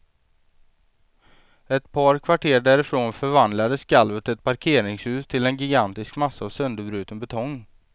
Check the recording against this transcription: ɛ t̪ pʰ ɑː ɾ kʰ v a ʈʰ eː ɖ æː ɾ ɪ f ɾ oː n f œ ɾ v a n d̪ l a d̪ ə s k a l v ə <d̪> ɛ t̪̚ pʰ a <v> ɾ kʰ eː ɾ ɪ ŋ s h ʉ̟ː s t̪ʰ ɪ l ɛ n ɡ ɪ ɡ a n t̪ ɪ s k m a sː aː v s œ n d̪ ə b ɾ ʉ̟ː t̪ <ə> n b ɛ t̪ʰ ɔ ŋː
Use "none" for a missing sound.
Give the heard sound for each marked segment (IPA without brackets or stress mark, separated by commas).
t̪, none, ə